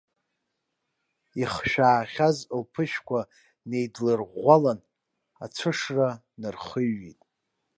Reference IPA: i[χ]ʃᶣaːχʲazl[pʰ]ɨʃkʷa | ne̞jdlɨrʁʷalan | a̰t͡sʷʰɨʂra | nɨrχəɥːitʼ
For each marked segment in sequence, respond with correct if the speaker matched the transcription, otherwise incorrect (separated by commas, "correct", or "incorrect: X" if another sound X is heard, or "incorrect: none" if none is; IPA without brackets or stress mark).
correct, correct